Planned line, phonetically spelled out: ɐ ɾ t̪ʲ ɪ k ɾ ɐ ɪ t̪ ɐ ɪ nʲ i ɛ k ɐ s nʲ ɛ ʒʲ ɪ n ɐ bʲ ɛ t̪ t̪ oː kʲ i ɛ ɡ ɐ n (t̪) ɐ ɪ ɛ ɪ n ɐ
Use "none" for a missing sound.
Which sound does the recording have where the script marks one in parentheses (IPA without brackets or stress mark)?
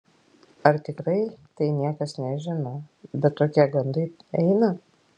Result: d̪